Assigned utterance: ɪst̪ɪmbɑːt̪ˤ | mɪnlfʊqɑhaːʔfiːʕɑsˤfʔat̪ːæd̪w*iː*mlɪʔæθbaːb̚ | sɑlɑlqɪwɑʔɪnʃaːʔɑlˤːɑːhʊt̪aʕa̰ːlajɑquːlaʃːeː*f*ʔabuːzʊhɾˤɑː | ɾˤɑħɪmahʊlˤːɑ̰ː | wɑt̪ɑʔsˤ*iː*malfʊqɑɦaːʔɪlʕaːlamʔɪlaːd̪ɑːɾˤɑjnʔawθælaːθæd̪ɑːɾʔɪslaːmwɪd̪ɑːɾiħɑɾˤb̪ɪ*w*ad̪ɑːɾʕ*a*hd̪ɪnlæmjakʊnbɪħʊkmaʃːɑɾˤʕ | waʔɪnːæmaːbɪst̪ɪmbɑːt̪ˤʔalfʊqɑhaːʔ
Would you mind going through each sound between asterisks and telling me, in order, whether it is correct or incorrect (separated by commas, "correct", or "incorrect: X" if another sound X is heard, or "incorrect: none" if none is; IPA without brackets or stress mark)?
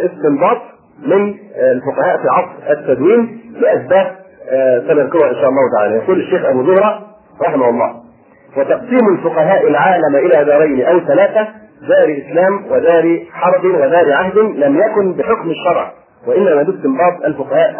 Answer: correct, incorrect: x, correct, correct, correct